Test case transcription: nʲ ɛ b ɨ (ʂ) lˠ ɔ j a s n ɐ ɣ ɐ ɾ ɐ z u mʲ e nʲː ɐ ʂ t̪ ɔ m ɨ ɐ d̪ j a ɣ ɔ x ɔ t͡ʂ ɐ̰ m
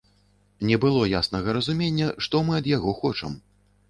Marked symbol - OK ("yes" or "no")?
no